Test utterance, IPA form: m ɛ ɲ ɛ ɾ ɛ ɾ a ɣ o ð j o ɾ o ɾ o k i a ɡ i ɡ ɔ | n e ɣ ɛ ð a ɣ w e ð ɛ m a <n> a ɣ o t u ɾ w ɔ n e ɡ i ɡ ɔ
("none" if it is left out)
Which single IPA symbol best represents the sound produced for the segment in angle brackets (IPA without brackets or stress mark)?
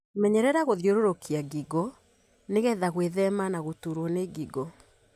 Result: n